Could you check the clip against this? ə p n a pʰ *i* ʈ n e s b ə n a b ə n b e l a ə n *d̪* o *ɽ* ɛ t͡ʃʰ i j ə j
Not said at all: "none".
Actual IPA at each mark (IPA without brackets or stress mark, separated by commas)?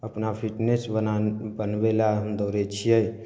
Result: i, d̪, ɾ